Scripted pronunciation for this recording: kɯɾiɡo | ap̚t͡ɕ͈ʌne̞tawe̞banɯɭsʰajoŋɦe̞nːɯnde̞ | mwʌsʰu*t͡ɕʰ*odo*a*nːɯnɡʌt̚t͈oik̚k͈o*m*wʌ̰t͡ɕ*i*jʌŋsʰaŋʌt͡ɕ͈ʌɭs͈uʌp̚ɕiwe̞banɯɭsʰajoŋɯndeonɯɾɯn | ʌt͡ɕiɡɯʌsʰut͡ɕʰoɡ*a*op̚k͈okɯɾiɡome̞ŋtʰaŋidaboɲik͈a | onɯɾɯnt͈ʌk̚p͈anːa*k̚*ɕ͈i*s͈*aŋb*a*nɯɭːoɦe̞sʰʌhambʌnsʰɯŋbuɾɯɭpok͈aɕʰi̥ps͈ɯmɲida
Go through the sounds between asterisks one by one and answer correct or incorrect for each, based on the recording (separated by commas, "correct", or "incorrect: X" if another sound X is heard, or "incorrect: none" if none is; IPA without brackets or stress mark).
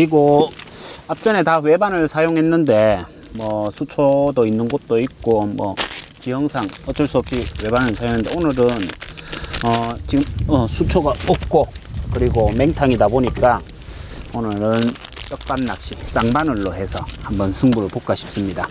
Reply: correct, incorrect: i, correct, correct, correct, correct, correct, correct